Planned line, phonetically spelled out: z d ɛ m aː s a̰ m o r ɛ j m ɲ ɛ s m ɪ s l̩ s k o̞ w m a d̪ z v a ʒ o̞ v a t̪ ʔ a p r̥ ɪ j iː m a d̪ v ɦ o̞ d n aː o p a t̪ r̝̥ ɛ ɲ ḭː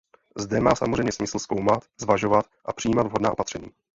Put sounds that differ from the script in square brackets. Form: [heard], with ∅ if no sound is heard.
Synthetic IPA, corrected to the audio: z d ɛ m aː s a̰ m o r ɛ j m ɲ ɛ s m ɪ s l̩ s k o̞ w m a [t̪] z v a ʒ o̞ v a t̪ ʔ a p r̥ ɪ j iː m a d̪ v ɦ o̞ d n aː o p a t̪ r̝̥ ɛ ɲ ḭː